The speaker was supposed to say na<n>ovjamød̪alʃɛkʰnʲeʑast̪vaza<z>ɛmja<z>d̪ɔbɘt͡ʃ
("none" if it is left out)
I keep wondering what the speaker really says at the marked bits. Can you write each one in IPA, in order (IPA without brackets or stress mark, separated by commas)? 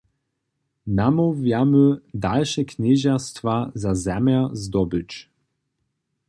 m, z, z